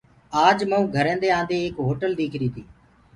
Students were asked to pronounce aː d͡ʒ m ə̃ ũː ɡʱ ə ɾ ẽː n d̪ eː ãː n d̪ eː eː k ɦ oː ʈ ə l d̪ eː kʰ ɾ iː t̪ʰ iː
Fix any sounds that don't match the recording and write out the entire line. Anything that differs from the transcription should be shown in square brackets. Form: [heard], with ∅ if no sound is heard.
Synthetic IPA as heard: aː d͡ʒ m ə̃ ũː ɡʱ ə ɾ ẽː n d̪ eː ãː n d̪ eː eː k ɦ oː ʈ ə l d̪ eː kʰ ɾ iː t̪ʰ iː